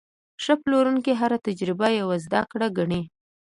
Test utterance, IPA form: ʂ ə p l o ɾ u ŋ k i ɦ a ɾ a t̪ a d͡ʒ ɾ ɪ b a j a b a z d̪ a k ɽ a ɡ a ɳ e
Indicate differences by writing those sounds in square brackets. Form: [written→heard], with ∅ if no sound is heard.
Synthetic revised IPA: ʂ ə p l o ɾ u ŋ k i ɦ a ɾ a t̪ a d͡ʒ ɾ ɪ b a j a [b→w] a z d̪ a k ɽ a ɡ a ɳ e